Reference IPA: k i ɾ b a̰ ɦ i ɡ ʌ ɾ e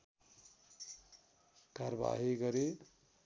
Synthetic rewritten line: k a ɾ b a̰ ɦ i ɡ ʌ ɾ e